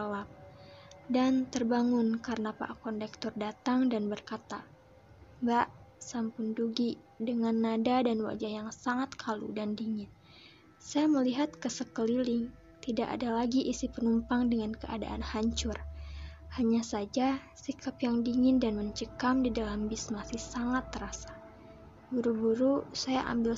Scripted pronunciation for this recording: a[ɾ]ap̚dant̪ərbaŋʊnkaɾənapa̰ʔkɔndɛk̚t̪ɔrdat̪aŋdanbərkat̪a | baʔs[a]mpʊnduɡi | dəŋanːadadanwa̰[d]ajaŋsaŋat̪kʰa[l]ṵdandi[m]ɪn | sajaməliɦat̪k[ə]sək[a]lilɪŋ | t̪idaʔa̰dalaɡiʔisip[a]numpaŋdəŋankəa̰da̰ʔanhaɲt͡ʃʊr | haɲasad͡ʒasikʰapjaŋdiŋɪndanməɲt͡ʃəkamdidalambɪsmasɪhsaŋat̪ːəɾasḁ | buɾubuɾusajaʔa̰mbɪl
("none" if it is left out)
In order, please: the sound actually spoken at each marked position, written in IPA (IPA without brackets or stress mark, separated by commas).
l, a, d͡ʒ, l, ŋ, ə, ə, ə